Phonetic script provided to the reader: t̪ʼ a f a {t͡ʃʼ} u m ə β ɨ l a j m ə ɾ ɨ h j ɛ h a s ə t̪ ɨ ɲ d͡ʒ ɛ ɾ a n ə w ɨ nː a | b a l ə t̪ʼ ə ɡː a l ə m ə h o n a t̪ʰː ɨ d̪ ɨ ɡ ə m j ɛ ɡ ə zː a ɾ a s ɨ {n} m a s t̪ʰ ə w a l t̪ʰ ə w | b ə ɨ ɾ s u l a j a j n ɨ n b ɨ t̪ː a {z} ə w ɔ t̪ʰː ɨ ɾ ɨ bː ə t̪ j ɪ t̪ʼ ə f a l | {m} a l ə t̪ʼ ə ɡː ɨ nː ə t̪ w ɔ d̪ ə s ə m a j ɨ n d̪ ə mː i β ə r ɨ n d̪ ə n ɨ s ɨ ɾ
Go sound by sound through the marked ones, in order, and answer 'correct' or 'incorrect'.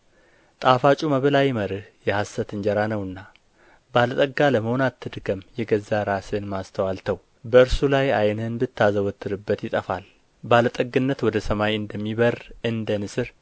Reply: correct, correct, correct, incorrect: b

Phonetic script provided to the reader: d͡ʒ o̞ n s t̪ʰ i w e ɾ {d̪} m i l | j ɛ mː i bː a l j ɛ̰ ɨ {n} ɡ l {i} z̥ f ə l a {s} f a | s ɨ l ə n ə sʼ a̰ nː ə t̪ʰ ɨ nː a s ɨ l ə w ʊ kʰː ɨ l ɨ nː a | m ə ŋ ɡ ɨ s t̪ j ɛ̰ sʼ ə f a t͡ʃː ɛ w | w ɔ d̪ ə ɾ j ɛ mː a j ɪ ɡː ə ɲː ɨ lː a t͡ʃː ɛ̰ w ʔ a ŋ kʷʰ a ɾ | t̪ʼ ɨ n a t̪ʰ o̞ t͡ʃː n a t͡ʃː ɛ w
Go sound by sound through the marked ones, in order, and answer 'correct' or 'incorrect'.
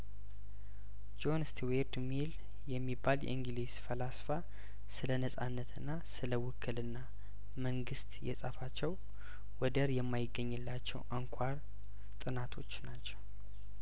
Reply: correct, incorrect: ŋ, correct, correct

